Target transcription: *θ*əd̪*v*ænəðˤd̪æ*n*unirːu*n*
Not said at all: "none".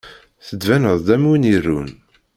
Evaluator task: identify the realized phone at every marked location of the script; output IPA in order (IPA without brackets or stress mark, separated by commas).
θ, v, m, n